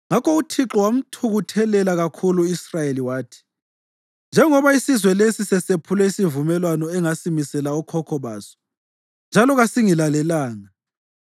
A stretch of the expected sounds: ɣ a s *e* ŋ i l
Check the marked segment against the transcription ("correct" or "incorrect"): incorrect